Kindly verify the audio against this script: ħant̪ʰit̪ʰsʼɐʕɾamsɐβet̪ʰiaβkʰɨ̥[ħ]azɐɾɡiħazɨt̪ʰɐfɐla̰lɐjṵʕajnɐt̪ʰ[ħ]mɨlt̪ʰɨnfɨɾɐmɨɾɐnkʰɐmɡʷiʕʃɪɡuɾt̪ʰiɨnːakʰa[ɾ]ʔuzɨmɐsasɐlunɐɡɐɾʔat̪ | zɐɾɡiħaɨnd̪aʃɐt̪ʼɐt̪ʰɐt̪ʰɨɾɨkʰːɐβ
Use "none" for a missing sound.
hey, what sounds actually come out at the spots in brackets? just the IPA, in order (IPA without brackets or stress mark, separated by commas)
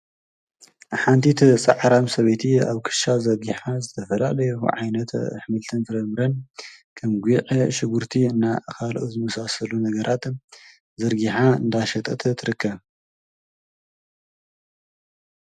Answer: ʃ, ħ, l